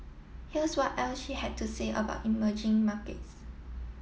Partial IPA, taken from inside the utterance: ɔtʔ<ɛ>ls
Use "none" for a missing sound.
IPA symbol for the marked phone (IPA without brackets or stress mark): ɛ